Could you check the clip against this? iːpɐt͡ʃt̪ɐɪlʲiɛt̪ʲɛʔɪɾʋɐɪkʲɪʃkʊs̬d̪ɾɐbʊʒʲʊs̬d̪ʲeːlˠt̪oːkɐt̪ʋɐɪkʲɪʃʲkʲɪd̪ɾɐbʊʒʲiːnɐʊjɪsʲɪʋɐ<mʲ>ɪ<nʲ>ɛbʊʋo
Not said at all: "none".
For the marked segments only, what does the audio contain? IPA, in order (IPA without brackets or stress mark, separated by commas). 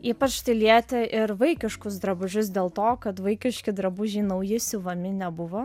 mʲ, nʲ